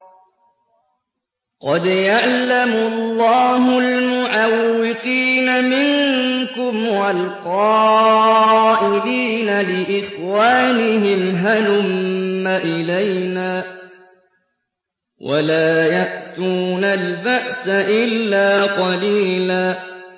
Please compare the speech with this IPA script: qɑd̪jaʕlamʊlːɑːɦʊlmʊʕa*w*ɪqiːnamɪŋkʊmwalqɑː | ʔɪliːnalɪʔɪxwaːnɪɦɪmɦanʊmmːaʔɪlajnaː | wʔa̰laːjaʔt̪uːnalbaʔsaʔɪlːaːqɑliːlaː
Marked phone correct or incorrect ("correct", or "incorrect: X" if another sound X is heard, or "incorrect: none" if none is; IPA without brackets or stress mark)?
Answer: incorrect: wː